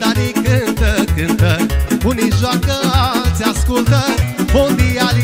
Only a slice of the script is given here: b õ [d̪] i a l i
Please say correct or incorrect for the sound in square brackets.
correct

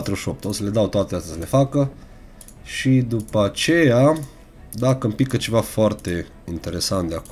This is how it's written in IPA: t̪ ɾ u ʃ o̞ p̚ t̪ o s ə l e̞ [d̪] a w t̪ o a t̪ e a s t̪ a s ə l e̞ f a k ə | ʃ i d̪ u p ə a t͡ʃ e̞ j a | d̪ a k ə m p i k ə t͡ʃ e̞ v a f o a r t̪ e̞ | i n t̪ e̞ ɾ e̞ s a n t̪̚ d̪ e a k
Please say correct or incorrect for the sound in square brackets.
correct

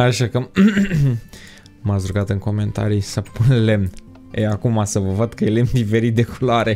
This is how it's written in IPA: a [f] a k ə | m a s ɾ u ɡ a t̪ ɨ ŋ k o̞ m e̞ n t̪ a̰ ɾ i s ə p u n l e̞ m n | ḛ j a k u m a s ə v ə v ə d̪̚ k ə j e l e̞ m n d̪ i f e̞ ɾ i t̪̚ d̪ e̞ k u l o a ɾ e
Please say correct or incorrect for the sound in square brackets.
incorrect: ʃ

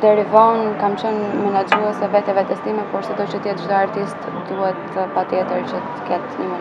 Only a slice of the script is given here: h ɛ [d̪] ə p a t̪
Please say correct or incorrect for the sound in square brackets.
incorrect: t̪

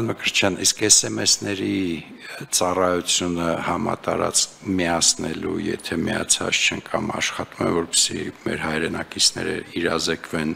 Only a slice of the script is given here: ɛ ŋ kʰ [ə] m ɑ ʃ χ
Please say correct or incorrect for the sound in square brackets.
incorrect: ɑ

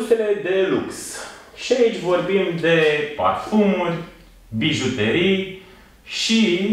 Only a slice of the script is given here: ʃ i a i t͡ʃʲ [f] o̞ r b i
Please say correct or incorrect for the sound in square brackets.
incorrect: v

